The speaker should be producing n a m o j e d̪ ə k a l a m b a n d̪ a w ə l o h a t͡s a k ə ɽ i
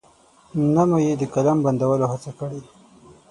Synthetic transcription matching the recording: n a m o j e d̪ ə k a l a m b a n d̪ a w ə l o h a t͡s a k ə ɽ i